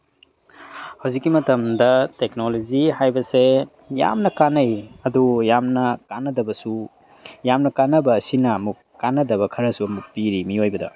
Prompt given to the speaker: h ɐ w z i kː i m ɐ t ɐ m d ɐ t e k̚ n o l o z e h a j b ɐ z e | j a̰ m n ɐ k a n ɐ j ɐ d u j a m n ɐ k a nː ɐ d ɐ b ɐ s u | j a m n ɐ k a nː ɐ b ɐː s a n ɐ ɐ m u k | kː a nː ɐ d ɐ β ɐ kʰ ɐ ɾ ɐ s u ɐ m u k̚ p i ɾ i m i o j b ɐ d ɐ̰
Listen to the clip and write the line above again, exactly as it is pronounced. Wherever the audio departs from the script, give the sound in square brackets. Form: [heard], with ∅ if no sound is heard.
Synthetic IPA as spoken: h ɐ w z i kː i m ɐ t ɐ m d ɐ t e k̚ n o l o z [i] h a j b ɐ [s] e | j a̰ m n ɐ k a n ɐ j ɐ d u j a m n ɐ k a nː ɐ d ɐ b ɐ s u | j a m n ɐ k a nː ɐ b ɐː s [i] n ɐ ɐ m u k | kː a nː ɐ d ɐ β ɐ kʰ ɐ ɾ ɐ s u ɐ m u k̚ p i ɾ i m i o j b ɐ d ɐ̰